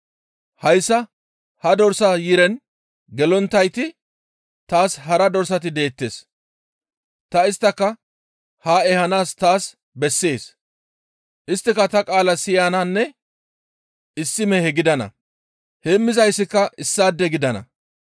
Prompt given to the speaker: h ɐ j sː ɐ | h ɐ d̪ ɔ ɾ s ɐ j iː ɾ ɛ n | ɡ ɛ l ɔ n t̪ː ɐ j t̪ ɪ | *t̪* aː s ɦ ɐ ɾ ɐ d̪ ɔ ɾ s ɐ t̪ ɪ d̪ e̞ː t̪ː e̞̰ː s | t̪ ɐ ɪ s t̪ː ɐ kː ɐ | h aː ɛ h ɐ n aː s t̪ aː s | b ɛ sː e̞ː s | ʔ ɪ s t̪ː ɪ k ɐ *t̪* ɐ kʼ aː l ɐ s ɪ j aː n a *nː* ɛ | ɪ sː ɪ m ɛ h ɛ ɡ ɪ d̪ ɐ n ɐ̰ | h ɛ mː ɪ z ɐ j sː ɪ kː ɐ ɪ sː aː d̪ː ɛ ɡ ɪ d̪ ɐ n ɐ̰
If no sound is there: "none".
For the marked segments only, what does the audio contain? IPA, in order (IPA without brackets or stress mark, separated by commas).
t̪, t̪, nː